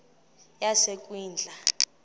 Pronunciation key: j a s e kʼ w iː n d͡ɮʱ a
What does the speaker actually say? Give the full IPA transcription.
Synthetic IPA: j a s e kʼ w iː n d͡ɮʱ a

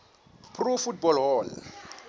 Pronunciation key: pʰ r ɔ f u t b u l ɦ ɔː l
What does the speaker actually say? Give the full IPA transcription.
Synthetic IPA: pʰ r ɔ f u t b ɔ l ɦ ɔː l

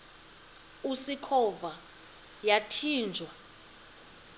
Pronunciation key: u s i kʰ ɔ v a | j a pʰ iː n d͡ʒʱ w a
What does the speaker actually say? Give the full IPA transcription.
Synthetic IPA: u s i kʰ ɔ v a | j a tʰ iː n d͡ʒʱ w a

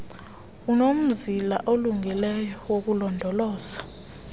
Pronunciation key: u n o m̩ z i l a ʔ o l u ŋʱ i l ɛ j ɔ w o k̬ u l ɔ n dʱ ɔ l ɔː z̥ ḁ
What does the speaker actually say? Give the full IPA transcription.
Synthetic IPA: u n o m̩ z i l a ʔ o l u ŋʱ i l ɛ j ɔ w o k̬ u l ɔ n dʱ ɔ l ɔː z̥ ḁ

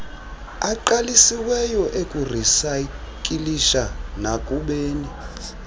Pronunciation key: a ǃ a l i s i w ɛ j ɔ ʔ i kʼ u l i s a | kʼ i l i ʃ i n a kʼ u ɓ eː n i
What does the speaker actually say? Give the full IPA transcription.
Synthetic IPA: a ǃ a l i s i w ɛ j ɔ ʔ e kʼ u r i s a | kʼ i l i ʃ a n a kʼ u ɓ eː n i

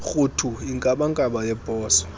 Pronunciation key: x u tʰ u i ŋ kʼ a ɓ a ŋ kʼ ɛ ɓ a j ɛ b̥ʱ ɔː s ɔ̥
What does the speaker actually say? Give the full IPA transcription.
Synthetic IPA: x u tʰ u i ŋ kʼ a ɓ a ŋ kʼ a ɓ a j ɛ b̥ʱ ɔː s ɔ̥

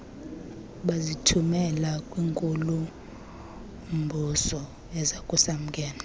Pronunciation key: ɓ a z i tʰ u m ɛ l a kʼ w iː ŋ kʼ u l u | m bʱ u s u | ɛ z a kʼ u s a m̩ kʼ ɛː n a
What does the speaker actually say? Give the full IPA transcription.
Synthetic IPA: ɓ a z i tʰ u m ɛ l a kʼ w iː ŋ kʼ u l u | m bʱ u s ɔ | ɛ z a kʼ u s a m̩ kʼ ɛː n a

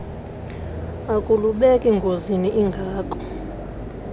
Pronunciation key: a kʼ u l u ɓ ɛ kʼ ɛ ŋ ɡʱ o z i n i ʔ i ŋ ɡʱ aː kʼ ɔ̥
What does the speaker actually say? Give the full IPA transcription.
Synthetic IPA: a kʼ u l u ɓ ɛ kʼ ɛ ŋ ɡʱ o z i n i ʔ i ŋ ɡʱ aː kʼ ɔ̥

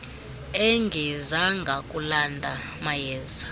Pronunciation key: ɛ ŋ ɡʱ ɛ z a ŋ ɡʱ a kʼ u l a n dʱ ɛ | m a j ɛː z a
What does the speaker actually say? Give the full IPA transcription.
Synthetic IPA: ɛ ŋ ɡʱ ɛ z a ŋ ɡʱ a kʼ u l a n dʱ a | m a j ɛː z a

